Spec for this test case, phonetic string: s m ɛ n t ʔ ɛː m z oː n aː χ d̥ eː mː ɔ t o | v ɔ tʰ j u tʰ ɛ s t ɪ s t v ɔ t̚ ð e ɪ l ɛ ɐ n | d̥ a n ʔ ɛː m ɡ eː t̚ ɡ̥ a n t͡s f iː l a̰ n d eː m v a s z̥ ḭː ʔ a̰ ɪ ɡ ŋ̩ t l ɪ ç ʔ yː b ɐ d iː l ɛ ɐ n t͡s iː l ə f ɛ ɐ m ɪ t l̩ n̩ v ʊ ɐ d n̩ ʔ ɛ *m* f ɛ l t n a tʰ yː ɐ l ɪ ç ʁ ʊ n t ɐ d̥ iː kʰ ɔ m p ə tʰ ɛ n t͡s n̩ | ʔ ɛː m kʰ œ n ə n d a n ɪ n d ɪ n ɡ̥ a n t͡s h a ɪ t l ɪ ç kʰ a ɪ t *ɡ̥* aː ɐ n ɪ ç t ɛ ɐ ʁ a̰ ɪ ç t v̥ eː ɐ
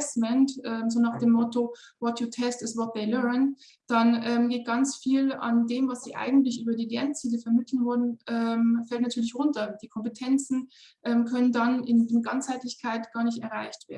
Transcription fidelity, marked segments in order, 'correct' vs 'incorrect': correct, correct

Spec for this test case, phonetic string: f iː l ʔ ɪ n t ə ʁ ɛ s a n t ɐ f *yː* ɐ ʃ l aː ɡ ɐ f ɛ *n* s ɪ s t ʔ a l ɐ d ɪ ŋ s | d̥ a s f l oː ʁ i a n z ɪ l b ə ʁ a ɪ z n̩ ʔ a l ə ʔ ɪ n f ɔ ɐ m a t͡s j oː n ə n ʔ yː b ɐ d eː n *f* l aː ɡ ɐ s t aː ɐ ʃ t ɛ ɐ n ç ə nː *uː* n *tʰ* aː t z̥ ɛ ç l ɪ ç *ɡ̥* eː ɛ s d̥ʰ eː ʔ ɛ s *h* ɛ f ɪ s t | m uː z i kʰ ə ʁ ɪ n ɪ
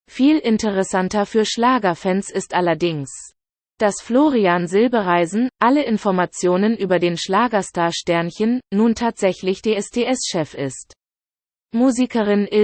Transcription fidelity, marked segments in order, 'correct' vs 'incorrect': correct, correct, incorrect, correct, correct, incorrect, incorrect

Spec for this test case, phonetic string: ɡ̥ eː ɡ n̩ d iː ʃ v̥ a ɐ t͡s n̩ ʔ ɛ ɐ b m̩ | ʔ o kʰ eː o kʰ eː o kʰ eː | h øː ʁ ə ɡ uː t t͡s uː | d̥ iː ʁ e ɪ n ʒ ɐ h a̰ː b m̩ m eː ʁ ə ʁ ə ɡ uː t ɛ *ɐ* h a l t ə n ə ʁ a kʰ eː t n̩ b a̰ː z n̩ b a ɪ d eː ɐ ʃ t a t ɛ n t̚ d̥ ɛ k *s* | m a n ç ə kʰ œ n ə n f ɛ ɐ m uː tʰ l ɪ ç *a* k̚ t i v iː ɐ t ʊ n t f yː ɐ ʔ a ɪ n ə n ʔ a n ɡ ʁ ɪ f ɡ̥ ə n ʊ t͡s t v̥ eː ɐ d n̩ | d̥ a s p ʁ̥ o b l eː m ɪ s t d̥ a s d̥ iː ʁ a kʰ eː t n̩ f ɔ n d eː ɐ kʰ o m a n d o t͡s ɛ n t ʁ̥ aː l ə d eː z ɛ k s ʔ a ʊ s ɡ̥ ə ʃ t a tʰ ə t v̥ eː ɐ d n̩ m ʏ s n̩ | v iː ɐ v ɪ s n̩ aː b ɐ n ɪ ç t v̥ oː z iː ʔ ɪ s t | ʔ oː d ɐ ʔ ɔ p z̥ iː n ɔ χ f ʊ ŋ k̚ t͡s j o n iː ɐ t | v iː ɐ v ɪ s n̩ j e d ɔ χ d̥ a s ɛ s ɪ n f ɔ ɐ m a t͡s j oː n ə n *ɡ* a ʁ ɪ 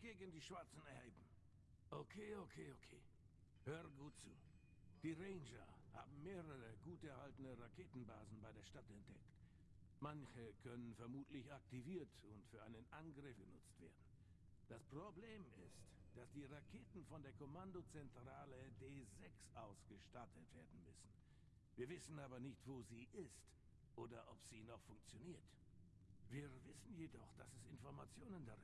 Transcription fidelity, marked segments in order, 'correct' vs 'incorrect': correct, incorrect, correct, incorrect

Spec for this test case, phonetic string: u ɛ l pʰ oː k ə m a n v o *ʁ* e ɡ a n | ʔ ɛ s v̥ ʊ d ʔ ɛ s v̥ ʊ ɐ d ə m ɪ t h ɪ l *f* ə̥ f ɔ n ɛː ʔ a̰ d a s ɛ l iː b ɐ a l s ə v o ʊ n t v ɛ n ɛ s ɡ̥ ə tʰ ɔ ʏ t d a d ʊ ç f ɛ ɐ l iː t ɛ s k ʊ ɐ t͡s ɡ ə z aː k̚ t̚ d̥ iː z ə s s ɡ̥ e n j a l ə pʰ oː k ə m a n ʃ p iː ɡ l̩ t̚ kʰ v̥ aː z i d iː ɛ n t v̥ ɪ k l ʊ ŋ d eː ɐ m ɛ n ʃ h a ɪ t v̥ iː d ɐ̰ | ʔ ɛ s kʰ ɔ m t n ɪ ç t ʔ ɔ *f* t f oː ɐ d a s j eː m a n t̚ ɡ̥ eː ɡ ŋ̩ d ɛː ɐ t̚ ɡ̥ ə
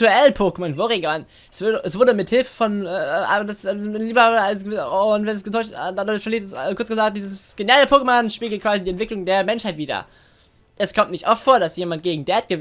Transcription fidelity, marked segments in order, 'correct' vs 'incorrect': correct, correct, correct

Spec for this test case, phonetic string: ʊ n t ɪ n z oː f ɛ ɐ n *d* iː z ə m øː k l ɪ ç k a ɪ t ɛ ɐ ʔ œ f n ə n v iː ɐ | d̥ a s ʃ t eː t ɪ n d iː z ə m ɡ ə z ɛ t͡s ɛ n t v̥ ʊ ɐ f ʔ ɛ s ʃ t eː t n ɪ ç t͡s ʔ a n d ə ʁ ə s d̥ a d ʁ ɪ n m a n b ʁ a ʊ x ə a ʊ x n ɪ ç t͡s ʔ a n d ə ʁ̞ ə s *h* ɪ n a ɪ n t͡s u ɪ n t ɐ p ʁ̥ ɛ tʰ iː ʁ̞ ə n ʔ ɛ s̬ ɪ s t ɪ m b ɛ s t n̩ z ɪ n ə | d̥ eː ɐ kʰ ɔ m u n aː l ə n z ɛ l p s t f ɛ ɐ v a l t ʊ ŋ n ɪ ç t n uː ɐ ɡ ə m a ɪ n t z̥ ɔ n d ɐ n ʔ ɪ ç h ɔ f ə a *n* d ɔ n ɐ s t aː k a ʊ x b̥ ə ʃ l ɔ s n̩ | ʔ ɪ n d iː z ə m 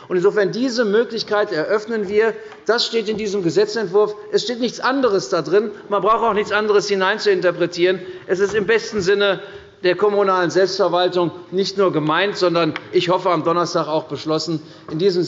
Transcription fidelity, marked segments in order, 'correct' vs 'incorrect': correct, correct, incorrect

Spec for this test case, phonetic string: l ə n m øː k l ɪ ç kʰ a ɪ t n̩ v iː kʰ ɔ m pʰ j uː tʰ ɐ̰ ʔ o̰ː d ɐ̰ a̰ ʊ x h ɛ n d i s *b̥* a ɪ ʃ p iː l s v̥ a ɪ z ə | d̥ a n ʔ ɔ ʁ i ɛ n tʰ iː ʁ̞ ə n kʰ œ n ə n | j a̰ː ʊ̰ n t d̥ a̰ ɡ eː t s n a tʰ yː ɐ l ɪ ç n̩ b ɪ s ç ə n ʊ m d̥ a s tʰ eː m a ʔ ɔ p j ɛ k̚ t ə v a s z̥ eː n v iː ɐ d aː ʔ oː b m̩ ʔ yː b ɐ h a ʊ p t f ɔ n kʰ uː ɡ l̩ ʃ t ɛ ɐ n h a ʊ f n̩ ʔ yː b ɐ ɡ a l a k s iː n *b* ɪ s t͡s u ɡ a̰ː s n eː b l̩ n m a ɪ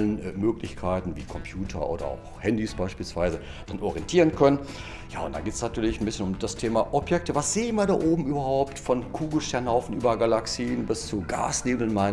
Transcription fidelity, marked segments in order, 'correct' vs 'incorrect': correct, correct

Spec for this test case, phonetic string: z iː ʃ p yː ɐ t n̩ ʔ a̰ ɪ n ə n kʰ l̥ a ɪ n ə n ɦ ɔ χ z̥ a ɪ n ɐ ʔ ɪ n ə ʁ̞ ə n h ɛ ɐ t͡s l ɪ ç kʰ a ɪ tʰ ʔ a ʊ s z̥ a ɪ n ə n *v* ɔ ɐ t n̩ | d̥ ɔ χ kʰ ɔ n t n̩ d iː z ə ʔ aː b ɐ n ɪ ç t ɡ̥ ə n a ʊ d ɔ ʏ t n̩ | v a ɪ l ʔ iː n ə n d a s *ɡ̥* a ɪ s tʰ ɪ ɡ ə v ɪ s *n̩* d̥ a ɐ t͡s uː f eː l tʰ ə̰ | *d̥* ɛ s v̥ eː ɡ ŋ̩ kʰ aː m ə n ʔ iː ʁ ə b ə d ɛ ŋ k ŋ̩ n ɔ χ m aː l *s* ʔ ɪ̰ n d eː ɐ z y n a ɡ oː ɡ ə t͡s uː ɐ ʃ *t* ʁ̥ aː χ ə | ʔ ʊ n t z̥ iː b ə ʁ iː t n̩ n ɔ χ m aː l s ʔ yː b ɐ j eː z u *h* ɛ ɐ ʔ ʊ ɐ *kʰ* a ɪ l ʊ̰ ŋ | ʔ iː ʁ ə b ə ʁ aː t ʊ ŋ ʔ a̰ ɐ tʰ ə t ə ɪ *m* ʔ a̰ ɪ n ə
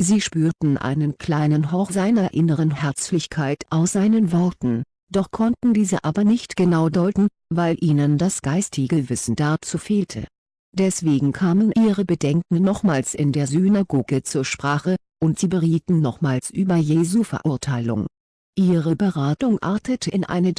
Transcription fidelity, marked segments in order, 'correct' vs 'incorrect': correct, correct, correct, correct, correct, incorrect, incorrect, incorrect, incorrect

